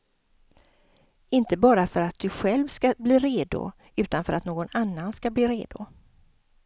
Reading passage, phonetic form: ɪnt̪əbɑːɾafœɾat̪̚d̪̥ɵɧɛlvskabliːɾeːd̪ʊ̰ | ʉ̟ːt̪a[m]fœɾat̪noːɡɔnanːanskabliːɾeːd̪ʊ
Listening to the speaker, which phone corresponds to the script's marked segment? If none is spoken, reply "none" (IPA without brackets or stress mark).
n